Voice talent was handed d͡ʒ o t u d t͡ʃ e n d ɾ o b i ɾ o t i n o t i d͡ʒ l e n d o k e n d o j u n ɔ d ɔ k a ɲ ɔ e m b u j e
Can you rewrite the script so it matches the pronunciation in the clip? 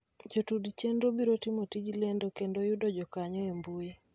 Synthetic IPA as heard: d͡ʒ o t u d t͡ʃ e n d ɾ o b i ɾ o t i m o t i d͡ʒ l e n d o k e n d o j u d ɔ d͡ʒ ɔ k a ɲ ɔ e m b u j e